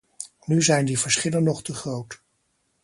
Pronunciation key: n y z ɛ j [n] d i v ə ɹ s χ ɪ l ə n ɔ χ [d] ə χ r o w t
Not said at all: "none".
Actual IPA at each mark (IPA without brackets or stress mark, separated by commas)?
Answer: n, t